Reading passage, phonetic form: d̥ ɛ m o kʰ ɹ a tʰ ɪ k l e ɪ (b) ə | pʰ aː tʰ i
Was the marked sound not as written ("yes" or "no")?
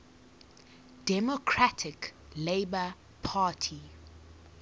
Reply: no